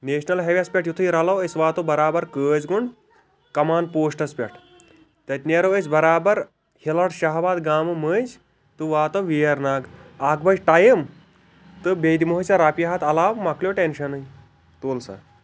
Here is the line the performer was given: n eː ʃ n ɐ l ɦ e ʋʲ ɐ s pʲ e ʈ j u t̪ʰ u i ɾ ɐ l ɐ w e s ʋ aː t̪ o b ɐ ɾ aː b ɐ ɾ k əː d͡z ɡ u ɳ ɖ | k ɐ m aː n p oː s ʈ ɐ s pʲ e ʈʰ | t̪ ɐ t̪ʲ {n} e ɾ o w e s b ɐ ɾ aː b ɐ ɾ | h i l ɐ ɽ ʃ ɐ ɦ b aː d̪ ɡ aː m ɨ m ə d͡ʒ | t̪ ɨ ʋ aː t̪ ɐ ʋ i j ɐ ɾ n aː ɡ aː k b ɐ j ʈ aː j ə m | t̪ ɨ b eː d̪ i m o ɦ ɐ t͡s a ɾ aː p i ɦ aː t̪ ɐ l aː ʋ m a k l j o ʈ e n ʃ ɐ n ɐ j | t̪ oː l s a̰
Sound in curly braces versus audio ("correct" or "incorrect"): correct